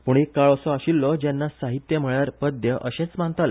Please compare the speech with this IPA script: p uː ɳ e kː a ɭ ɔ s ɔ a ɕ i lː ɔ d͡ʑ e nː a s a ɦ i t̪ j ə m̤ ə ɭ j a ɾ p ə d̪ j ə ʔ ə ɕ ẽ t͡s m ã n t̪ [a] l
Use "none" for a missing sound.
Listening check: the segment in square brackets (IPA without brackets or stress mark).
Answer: a